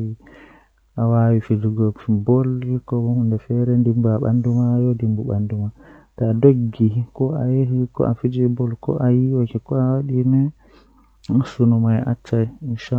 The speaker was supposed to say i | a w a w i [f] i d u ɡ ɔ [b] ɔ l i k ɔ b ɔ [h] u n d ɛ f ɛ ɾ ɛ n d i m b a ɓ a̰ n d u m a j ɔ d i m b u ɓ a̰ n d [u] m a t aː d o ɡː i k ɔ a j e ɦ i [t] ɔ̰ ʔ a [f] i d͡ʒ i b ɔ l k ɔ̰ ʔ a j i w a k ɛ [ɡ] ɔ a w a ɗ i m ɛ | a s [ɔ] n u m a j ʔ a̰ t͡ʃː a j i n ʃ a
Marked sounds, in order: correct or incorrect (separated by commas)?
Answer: correct, correct, correct, correct, incorrect, correct, incorrect, incorrect